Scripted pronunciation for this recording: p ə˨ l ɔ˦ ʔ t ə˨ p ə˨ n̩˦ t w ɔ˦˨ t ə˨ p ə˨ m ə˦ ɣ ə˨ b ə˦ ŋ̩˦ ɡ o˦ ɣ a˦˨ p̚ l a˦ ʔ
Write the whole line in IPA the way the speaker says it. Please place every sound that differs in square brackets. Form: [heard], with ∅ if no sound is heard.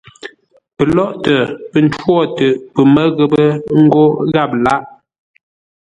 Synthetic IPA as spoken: p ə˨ l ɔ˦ ʔ t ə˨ p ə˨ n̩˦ t w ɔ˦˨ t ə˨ p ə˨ m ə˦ ɣ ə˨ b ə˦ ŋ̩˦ ɡ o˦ ɣ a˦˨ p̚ l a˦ ʔ